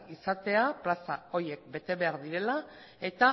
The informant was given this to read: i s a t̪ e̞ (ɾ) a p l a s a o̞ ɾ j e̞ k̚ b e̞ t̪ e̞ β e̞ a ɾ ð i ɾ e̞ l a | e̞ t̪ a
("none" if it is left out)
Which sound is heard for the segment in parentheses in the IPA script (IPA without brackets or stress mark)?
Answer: none